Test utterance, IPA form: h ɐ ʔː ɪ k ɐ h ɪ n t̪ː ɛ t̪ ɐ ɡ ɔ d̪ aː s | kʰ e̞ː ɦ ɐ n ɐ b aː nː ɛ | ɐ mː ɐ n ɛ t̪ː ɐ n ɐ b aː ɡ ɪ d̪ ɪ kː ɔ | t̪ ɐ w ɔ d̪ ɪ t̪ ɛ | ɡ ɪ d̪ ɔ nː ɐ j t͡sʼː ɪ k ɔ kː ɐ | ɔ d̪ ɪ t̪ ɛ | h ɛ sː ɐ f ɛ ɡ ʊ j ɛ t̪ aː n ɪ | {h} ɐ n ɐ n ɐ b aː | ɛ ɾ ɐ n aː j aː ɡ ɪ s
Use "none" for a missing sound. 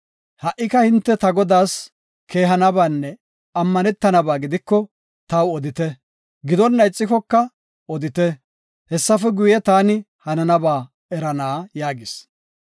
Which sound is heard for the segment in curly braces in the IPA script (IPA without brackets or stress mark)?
h